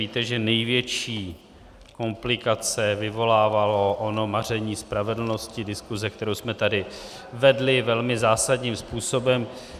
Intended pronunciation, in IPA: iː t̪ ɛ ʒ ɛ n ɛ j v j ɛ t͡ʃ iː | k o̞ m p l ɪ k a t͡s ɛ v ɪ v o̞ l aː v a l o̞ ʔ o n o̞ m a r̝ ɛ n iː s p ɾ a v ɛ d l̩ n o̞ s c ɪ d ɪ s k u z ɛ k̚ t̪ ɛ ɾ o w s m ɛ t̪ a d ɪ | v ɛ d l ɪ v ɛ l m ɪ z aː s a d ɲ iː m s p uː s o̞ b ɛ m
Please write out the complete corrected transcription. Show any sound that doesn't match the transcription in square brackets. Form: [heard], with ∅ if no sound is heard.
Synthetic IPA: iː t̪ ɛ ʒ ɛ n ɛ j v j ɛ t͡ʃ iː | k o̞ m p l ɪ k a t͡s ɛ v ɪ v o̞ l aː v a l o̞ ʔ o n o̞ m a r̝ ɛ [ɲ] iː s p ɾ a v ɛ d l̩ n o̞ s c ɪ d ɪ s k u z ɛ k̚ t̪ ɛ ɾ o w s m ɛ t̪ a d ɪ | v ɛ d l ɪ v ɛ l m ɪ z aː s a d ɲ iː m s p uː s o̞ b ɛ m